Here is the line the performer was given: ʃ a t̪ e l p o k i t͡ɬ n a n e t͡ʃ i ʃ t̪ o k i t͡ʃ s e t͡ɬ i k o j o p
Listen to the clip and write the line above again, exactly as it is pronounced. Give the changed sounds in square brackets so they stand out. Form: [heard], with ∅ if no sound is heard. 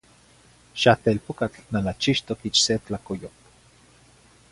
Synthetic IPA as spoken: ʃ a t̪ e l p o k [a] t͡ɬ n a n [a] t͡ʃ i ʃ t̪ o k i t͡ʃ s e t͡ɬ [a] k o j o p